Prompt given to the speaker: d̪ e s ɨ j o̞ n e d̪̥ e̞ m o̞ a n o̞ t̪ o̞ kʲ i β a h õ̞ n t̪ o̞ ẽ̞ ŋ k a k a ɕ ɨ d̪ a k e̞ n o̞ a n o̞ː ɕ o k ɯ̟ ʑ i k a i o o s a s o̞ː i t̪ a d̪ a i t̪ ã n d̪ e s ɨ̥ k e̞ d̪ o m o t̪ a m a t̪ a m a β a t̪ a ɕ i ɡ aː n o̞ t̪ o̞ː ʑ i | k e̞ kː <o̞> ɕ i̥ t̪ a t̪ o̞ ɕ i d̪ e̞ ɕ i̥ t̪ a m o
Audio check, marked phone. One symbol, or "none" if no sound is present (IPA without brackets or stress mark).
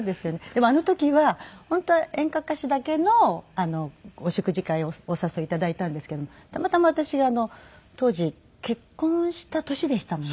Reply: õ̞